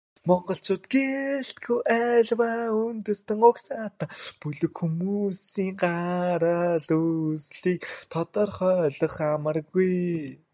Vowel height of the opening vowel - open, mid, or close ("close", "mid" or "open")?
mid